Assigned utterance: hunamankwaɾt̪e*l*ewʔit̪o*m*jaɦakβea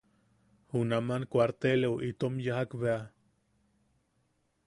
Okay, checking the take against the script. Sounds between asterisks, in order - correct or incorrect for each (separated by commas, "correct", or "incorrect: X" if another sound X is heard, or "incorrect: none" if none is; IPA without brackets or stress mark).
correct, correct